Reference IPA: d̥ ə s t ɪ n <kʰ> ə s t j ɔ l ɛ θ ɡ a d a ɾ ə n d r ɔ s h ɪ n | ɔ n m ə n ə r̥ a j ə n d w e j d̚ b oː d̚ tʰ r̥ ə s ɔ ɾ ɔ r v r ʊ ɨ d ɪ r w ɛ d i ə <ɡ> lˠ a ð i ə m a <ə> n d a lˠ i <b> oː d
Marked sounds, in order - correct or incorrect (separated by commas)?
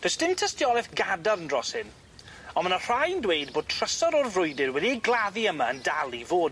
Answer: incorrect, correct, correct, incorrect